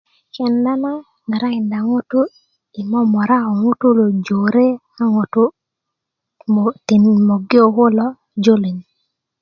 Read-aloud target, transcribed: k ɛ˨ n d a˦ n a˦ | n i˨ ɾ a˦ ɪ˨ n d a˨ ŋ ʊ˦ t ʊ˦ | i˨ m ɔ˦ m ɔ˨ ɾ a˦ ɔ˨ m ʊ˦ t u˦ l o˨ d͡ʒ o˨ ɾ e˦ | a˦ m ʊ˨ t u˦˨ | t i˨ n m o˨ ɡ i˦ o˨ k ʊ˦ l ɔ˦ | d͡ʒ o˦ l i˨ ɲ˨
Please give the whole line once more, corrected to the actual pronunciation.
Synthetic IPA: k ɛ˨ n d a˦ n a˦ | n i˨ ɾ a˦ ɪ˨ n d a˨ ŋ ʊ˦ t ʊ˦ | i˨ m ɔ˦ m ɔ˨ ɾ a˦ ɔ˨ ŋ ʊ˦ t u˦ l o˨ d͡ʒ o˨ ɾ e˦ | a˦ ŋ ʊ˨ t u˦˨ | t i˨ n m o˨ ɡ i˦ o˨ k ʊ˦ l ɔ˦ | d͡ʒ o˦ l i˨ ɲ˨